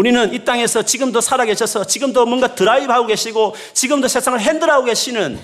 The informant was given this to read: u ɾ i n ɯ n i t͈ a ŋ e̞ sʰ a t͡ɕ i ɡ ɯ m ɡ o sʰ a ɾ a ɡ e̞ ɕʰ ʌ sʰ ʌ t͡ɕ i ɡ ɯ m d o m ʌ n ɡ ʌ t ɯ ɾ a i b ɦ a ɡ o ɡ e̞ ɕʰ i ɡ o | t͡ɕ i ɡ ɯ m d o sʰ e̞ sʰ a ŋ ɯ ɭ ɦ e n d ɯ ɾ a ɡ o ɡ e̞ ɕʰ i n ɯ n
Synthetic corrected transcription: u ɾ i n ɯ n i t͈ a ŋ e̞ sʰ ʌ t͡ɕ i ɡ ɯ m d o sʰ a ɾ a ɡ e̞ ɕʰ ʌ sʰ ʌ t͡ɕ i ɡ ɯ m d o m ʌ n ɡ a t ɯ ɾ a i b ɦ a ɡ o ɡ e̞ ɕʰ i ɡ o | t͡ɕ i ɡ ɯ m d o sʰ e̞ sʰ a ŋ ɯ ɭ ɦ e n d ɯ ɾ a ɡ o ɡ e̞ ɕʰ i n ɯ n